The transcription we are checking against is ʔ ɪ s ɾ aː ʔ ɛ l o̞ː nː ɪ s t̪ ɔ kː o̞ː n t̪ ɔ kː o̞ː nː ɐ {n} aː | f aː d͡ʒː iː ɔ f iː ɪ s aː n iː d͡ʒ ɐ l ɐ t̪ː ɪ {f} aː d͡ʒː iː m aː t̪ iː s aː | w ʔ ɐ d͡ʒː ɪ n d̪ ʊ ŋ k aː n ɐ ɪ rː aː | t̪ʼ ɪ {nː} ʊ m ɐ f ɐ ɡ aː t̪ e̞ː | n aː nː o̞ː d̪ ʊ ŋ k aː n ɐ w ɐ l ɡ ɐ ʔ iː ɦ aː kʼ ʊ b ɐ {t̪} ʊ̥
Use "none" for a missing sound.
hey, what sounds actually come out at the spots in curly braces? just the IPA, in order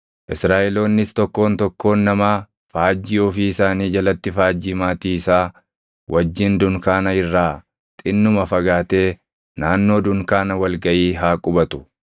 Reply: m, f, nː, t̪

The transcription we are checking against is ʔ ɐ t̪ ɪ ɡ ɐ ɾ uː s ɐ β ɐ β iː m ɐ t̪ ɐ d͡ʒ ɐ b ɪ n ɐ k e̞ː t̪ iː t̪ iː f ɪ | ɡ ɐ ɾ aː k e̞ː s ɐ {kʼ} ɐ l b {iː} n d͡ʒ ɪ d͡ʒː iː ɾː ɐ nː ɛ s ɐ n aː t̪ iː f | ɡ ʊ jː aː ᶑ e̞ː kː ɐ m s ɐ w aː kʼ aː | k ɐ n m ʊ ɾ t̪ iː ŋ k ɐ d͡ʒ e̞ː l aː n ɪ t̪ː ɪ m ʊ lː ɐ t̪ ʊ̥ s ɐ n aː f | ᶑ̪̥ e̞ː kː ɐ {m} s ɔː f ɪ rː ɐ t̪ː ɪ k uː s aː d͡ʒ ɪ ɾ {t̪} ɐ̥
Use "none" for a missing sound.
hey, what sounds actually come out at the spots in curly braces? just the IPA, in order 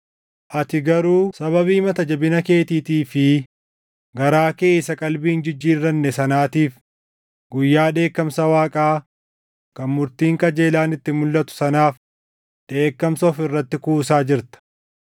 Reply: kʼ, iː, m, t̪

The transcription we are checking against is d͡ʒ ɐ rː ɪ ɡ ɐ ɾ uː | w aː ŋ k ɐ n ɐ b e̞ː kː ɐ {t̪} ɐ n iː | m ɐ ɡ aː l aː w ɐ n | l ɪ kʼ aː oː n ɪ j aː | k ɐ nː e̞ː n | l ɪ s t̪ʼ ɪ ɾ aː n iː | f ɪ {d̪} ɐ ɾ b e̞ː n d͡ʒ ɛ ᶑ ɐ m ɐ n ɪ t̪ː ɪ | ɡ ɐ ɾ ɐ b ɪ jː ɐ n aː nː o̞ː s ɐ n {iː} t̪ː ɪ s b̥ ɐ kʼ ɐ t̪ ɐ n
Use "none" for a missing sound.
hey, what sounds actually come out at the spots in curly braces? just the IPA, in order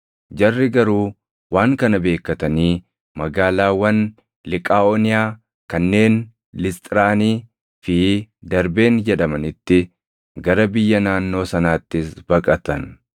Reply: t̪, d̪, aː

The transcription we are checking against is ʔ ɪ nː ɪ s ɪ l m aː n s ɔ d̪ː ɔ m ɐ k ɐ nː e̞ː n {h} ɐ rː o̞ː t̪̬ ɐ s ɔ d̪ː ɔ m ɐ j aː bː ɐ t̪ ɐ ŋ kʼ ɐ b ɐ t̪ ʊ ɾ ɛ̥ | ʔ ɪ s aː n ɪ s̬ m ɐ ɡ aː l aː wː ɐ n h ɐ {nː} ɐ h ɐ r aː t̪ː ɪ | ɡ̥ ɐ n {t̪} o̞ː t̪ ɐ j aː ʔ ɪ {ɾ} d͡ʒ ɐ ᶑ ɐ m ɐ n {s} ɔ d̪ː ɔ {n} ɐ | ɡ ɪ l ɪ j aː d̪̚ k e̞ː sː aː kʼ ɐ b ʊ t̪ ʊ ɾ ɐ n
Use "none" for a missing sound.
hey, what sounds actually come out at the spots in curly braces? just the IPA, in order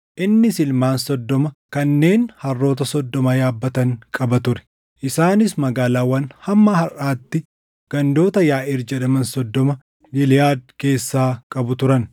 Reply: h, mː, d̪, ɾ, s, m

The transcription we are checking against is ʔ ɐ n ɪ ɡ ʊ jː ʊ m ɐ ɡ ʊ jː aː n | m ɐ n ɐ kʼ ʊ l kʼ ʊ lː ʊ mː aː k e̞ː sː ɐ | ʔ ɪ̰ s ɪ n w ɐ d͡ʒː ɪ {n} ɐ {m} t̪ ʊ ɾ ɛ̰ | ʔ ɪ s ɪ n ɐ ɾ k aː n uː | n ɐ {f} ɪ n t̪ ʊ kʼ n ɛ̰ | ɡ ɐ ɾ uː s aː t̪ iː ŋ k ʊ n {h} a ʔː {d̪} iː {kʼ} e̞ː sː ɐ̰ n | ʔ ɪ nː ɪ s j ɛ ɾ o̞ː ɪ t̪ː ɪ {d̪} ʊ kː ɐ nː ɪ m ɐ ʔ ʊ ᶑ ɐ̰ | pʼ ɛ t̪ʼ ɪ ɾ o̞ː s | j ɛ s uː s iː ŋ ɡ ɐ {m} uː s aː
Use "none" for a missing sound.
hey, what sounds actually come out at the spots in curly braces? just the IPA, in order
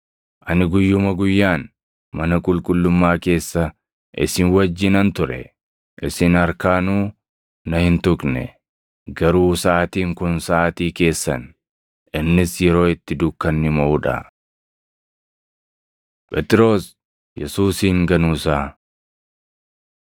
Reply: n, n, h, s, t̪, k, d̪, n

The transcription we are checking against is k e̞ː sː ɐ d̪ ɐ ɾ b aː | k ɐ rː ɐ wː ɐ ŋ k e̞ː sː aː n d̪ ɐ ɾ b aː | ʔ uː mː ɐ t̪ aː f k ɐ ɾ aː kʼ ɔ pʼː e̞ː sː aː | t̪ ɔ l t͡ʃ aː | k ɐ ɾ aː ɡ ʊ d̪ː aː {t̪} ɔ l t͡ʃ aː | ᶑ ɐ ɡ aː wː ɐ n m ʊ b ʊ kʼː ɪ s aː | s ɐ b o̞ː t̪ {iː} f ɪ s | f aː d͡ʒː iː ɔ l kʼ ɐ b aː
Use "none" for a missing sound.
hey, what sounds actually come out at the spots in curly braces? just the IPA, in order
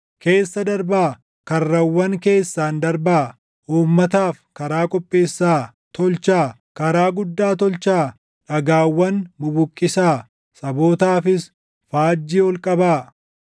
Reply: t̪, aː

